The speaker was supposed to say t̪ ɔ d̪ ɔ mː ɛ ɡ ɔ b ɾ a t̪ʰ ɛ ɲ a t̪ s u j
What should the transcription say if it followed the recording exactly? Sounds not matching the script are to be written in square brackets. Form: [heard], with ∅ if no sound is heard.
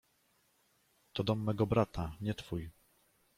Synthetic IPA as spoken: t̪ ɔ d̪ ɔ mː ɛ ɡ ɔ b ɾ a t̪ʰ [a] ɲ [ɛ] t̪ [f] u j